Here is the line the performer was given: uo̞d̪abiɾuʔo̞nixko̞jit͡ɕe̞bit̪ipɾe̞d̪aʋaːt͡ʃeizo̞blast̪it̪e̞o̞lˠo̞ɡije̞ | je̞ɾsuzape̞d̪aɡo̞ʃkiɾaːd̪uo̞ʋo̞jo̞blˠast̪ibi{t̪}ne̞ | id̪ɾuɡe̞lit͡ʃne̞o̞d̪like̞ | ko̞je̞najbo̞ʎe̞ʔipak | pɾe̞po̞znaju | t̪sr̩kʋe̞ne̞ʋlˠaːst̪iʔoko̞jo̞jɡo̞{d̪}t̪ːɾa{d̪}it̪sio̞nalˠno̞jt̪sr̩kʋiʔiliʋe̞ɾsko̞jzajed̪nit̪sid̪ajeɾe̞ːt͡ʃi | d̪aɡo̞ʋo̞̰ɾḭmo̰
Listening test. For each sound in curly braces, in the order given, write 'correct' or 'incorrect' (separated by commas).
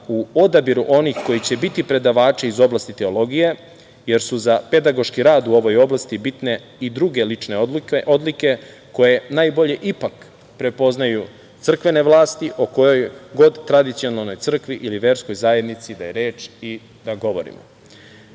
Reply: correct, correct, correct